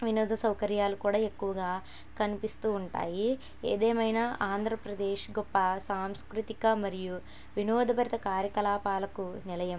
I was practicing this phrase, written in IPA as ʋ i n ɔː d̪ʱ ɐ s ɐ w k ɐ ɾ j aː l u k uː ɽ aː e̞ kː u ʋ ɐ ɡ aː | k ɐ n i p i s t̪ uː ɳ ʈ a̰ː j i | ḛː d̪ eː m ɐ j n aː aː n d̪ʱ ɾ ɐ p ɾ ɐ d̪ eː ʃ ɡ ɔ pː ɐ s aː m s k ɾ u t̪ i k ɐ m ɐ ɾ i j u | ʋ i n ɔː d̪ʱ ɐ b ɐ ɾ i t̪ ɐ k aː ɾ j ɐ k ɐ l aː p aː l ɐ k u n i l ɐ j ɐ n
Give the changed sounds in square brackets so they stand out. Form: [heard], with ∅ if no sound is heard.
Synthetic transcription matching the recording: ʋ i n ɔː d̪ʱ ɐ s ɐ w k ɐ ɾ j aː l u k uː ɽ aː e̞ kː u ʋ ɐ ɡ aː | k ɐ n i p i s t̪ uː ɳ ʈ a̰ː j i | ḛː d̪ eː m ɐ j n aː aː n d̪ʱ ɾ ɐ p ɾ ɐ d̪ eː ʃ ɡ ɔ pː ɐ s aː m s k ɾ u t̪ i k ɐ m ɐ ɾ i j u | ʋ i n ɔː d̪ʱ ɐ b ɐ ɾ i t̪ ɐ k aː ɾ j ɐ k ɐ l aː p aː l ɐ k u n i l ɐ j ɐ [m]